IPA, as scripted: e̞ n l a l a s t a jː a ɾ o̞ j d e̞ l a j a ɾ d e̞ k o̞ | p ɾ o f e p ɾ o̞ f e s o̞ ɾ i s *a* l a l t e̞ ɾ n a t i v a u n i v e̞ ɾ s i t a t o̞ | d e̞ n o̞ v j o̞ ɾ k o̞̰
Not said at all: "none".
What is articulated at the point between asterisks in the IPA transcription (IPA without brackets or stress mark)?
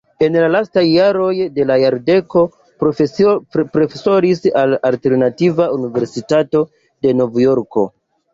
a